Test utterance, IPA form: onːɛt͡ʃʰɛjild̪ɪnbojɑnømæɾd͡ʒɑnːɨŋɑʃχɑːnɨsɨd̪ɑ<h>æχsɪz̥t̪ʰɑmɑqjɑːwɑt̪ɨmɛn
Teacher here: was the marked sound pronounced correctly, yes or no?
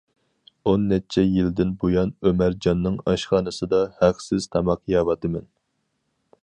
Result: yes